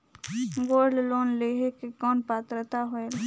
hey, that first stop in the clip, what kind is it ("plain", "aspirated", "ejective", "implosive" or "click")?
plain